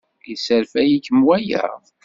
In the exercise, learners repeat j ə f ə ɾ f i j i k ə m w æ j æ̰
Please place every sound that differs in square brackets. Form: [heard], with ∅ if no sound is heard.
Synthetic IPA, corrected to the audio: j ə [s] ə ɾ f [æ] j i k ə m w æ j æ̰